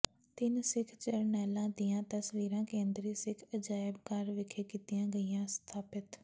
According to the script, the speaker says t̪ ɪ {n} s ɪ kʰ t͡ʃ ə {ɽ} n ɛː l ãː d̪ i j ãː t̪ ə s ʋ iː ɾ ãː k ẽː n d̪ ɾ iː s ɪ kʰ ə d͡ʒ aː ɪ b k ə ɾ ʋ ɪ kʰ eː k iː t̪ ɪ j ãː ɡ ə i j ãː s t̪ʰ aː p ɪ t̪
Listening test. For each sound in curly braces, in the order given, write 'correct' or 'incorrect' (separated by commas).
correct, incorrect